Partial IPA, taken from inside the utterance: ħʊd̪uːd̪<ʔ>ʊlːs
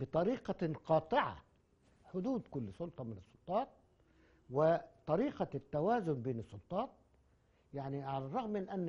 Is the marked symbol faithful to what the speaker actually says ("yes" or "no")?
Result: no